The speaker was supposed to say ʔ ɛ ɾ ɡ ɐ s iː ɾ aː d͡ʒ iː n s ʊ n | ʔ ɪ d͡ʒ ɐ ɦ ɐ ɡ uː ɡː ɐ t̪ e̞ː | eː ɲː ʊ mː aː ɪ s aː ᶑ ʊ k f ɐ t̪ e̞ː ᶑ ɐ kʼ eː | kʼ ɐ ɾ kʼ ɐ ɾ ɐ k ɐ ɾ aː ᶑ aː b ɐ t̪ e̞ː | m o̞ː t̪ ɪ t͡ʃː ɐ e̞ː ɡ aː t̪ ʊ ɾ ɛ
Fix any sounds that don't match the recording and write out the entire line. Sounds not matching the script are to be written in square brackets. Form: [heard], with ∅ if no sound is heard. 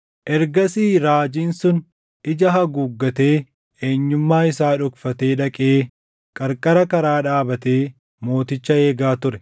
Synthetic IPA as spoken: ʔ ɛ ɾ ɡ ɐ s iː ɾ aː d͡ʒ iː n s ʊ n | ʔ ɪ d͡ʒ ɐ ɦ ɐ ɡ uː ɡː ɐ t̪ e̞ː | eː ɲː ʊ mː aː ɪ s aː ᶑ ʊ k f ɐ t̪ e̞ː ᶑ ɐ kʼ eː | kʼ ɐ ɾ kʼ ɐ ɾ ɐ k ɐ ɾ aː ᶑ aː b ɐ t̪ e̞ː | m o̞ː t̪ ɪ t͡ʃː ɐ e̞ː ɡ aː t̪ ʊ ɾ ɛ